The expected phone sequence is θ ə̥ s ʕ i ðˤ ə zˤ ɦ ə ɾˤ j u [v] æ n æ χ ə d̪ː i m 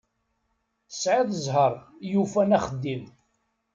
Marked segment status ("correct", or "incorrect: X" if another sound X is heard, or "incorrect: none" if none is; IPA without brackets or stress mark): incorrect: f